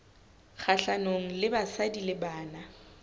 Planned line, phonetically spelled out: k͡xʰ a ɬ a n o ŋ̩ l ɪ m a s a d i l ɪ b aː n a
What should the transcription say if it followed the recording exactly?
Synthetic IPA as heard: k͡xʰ a ɬ a n o ŋ̩ l ɪ b a s a d i l ɪ b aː n a